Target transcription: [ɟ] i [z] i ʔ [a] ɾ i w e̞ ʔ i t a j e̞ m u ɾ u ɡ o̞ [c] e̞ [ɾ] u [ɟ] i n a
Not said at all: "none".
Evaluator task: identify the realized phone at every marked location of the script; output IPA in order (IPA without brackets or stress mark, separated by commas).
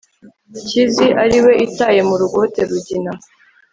c, z, a, t, ɾ, ɟ